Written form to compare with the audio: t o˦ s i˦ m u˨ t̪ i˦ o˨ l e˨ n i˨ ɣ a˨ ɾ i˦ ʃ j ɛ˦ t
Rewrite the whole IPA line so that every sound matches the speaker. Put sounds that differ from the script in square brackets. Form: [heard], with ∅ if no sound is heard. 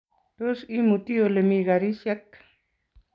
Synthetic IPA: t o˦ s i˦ m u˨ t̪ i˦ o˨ l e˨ [m] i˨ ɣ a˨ ɾ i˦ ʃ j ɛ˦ [k]